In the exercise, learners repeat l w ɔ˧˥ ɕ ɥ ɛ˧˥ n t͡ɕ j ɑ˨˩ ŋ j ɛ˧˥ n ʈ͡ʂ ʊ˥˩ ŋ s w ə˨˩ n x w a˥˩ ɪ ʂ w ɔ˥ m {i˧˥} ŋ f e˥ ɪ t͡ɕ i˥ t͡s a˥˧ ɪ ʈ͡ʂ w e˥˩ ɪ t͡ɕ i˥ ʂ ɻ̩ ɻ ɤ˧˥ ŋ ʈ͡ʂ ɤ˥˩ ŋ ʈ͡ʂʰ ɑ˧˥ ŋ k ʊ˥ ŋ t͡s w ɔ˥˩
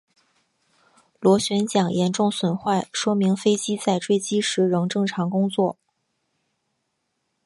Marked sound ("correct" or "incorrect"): correct